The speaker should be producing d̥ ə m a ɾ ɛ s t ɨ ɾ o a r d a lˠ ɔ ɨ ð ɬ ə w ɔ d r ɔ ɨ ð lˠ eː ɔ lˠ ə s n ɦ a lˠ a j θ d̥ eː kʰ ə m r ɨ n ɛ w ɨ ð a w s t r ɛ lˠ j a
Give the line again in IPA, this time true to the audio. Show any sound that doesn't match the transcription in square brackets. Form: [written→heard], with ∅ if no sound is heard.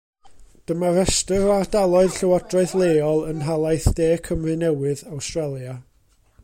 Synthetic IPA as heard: d̥ ə m a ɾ ɛ s t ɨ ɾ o a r d a lˠ ɔ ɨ ð ɬ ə w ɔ d r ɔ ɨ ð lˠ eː ɔ lˠ ə [s→∅] n ɦ a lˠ a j θ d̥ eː kʰ ə m r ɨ n ɛ w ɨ ð a w s t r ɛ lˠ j a

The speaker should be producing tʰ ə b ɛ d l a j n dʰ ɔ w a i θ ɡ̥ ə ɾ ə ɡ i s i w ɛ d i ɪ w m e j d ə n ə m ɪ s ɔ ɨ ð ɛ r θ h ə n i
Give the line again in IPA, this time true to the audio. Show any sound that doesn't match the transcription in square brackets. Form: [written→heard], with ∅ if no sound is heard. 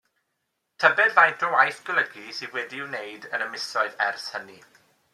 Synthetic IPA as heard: tʰ ə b ɛ d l a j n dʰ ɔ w a [i→j] θ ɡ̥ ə [ɾ→l] ə ɡ i s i w ɛ d i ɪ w [m→n] e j d ə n ə m ɪ s ɔ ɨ ð ɛ r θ h ə n i

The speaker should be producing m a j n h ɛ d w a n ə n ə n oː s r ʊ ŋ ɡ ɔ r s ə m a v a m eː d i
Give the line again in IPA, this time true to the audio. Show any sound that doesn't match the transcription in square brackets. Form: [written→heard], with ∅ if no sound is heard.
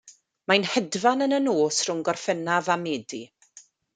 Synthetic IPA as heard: m a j n h ɛ d [w→v] a n ə n ə n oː s r ʊ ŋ ɡ ɔ r [s→f] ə [m→n] a v a m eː d i

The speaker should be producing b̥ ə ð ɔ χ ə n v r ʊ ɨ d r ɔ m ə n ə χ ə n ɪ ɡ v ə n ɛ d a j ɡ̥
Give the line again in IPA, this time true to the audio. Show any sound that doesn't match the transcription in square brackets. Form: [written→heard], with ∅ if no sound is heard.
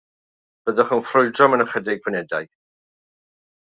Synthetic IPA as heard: b̥ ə ð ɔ χ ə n [v→f] r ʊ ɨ d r ɔ m ə n ə χ ə [n→d] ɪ ɡ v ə n ɛ d a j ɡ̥

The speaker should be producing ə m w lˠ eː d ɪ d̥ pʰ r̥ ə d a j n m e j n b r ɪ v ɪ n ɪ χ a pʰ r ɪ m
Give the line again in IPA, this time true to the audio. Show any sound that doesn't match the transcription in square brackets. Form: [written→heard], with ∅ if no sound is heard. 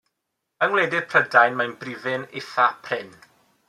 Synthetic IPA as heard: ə [m→ŋ] w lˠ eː d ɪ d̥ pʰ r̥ ə d a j n m [e→a] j n b r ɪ v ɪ n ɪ [χ→θ] a pʰ r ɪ [m→n]

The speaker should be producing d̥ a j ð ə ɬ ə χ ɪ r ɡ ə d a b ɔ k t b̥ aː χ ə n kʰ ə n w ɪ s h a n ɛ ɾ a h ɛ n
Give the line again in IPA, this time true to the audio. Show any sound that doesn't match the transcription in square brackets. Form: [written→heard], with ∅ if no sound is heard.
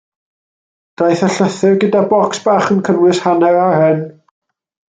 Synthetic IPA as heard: d̥ a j [ð→θ] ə ɬ ə [χ→θ] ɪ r ɡ ə d a b ɔ k [t→s] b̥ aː χ ə n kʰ ə n w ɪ s h a n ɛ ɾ a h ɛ n

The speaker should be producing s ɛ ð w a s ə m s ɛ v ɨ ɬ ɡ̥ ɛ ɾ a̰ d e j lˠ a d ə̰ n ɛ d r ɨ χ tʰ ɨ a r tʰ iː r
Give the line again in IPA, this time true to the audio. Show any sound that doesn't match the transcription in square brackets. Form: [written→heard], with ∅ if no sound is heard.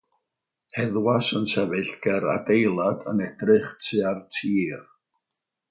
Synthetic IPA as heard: [s→h] ɛ ð w a s ə [m→n] s ɛ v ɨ ɬ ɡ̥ ɛ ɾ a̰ d e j lˠ a d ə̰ n ɛ d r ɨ χ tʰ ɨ a r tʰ iː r

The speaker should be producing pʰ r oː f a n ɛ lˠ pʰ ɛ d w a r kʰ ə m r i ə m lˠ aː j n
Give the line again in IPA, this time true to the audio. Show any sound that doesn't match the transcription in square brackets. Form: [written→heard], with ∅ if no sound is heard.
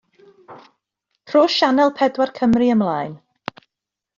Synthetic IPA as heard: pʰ r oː [f→ʃ] a n ɛ lˠ pʰ ɛ d w a r kʰ ə m r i ə m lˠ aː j n

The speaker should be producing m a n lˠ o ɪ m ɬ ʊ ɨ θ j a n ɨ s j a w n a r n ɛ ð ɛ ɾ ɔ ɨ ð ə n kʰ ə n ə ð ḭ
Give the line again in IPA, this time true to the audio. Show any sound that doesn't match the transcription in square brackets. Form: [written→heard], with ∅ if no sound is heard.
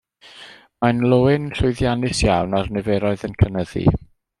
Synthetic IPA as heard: m a n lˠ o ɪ [m→n] ɬ ʊ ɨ [θ→ð] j a n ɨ s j a w n a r n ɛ [ð→v] ɛ ɾ ɔ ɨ ð ə n kʰ ə n ə ð ḭ

